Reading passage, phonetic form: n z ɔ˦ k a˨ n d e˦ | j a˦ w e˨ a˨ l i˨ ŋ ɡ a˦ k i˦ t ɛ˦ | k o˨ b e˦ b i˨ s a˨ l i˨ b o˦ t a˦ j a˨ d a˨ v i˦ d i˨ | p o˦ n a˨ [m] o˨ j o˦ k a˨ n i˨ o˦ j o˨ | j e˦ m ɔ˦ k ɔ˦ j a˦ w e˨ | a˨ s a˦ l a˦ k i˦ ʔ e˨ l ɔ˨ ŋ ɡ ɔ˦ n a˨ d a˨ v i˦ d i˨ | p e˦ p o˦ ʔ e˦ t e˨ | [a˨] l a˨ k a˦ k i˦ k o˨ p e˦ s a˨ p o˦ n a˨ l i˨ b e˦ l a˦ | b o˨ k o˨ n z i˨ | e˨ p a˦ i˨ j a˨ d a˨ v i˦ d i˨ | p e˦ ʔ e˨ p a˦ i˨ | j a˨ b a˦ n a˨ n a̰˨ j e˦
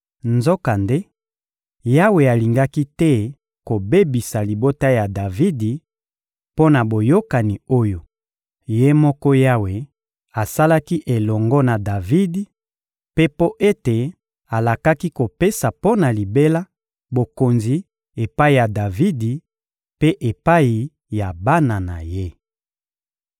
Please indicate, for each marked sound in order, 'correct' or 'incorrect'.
incorrect: b, correct

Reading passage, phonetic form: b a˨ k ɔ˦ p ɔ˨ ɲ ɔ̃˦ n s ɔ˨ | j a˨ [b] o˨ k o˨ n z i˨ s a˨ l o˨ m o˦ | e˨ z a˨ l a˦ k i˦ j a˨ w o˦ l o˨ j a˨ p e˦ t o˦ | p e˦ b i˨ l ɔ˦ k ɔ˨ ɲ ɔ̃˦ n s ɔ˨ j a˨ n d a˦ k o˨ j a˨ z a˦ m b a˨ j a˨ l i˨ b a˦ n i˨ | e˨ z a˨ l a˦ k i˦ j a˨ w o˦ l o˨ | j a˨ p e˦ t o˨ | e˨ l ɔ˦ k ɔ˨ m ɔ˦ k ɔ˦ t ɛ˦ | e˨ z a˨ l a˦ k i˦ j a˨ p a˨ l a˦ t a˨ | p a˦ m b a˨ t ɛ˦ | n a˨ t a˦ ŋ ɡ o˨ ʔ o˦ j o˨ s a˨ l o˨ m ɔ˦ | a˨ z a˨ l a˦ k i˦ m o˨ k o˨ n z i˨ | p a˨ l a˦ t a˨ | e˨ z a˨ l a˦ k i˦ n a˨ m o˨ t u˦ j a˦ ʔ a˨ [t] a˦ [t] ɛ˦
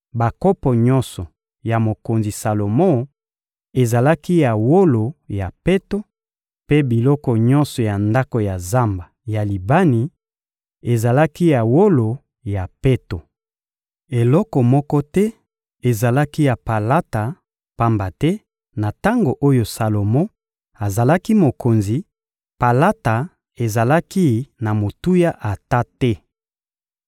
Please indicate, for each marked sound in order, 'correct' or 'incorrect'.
incorrect: m, correct, correct

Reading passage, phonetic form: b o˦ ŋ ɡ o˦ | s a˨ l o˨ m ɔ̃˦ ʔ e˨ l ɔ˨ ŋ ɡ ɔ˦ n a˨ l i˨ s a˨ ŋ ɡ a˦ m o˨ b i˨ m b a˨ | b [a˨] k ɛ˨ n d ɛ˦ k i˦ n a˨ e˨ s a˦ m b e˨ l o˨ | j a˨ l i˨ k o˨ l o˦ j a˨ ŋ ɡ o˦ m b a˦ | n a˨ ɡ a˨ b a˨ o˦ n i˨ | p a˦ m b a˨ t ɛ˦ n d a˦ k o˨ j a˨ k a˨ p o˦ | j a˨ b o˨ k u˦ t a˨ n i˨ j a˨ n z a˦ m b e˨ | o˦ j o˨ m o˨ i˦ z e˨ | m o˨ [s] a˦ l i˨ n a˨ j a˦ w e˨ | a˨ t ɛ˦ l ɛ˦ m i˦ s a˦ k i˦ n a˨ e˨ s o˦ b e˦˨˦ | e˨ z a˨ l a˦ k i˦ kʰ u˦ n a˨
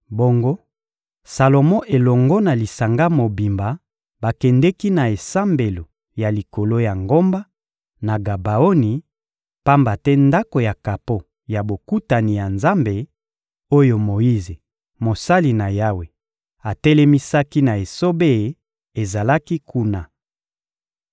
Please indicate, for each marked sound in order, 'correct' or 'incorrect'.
correct, correct

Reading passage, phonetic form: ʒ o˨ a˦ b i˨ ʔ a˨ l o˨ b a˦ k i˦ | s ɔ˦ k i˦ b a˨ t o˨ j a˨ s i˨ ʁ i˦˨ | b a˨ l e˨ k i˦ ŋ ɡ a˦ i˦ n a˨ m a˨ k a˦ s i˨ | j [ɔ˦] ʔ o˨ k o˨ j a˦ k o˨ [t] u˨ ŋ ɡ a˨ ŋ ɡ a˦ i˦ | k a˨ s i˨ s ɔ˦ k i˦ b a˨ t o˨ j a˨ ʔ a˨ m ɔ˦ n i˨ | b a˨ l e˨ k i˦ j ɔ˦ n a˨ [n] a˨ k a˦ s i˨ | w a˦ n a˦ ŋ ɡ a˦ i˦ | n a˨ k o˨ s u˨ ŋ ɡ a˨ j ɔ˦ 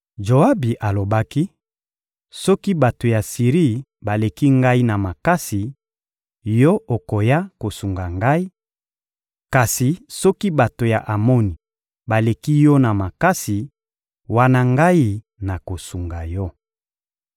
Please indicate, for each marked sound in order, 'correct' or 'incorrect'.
correct, incorrect: s, incorrect: m

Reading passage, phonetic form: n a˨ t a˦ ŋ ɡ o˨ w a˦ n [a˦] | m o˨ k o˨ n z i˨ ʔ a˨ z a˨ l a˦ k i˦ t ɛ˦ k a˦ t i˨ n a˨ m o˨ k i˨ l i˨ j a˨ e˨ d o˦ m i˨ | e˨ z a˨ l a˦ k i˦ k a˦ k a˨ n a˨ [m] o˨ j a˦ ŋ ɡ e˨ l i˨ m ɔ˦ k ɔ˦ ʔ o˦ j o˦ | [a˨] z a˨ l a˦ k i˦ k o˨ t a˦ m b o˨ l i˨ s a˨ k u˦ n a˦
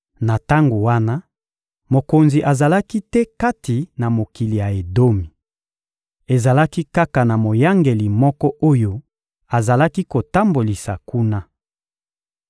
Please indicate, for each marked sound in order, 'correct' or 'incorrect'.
correct, correct, correct

